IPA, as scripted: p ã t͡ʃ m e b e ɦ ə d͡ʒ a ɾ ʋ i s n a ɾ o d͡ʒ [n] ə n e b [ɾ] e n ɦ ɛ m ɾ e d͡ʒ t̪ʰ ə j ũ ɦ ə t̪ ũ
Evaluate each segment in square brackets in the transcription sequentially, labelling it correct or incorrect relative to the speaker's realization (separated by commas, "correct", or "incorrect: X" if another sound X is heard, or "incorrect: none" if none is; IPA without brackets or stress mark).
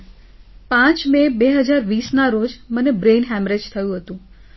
incorrect: m, correct